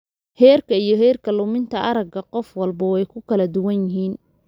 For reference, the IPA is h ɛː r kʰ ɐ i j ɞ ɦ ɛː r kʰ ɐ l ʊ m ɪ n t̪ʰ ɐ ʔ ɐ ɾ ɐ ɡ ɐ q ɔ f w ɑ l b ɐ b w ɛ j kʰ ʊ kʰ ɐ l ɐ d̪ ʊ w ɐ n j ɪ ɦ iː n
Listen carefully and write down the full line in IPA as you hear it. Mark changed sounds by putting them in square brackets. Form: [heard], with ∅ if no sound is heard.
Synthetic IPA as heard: h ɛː r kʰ ɐ i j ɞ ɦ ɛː r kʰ ɐ l ʊ m ɪ n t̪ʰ ɐ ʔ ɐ ɾ ɐ ɡ ɐ q ɔ f w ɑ l b ɐ [∅] w ɛ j kʰ ʊ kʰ ɐ l ɐ d̪ ʊ w ɐ n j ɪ ɦ iː n